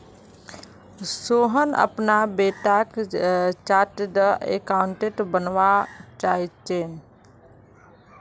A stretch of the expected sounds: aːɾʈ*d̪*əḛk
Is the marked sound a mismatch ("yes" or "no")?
no